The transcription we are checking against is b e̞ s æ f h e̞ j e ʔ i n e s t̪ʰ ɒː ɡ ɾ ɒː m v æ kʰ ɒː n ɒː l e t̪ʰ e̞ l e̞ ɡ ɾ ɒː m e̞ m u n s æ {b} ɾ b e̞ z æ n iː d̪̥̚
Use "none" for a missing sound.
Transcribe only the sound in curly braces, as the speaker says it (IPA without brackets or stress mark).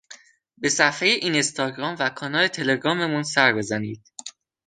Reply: none